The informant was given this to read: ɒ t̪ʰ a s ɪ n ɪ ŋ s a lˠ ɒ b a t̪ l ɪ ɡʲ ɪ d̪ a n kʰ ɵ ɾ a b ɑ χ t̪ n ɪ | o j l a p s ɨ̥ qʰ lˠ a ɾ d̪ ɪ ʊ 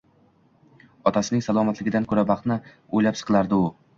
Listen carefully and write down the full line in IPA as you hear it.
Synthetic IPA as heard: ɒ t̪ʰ a s ɪ n ɪ ŋ s a lˠ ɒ m a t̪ l ɪ ɡʲ ɪ d̪ a n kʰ ɵ ɾ a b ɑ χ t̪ n ɪ | o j l a p s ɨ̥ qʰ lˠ a ɾ d̪ ɪ ʊ